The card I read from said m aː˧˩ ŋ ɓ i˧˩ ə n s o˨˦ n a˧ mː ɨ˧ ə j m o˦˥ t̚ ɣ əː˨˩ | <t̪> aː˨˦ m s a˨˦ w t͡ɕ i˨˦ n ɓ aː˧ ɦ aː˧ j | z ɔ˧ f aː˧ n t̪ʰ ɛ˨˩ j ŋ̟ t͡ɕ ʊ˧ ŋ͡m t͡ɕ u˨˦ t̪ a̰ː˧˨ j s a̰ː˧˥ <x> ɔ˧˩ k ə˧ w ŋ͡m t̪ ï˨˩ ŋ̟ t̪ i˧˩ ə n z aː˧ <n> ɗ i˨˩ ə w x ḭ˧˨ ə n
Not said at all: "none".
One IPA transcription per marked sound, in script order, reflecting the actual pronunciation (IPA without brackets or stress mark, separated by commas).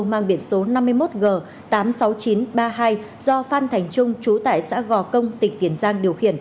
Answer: t̪, ɣ, ŋ